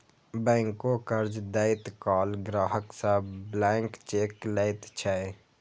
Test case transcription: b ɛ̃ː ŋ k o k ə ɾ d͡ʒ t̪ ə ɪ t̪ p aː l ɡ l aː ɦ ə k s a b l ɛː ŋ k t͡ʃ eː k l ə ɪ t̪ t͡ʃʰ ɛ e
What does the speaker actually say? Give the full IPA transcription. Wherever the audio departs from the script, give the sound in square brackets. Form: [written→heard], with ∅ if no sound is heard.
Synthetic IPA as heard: b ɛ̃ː ŋ k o k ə ɾ d͡ʒ [t̪→d̪] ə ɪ t̪ [p→k] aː l ɡ [l→ɾ] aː ɦ ə k s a b l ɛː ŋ k t͡ʃ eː k l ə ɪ t̪ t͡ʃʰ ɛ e